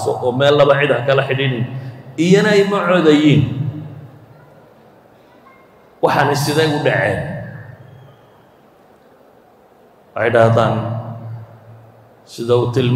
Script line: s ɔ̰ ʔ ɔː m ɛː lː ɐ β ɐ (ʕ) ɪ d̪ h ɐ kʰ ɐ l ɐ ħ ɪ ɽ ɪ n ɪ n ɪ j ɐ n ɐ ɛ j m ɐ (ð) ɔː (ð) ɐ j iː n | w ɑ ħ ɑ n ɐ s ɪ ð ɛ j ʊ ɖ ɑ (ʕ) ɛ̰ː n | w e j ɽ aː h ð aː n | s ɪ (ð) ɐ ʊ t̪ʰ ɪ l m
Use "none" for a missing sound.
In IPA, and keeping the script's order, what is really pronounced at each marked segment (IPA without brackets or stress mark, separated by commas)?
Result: ʕ, ʕ, ð, ʕ, ð